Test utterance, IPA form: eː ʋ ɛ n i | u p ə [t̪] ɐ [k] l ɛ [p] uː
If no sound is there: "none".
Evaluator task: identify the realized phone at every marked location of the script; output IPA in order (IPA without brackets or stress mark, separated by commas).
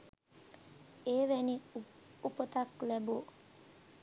t̪, k, b